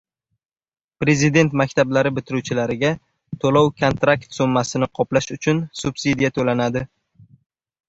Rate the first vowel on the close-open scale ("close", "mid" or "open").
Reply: mid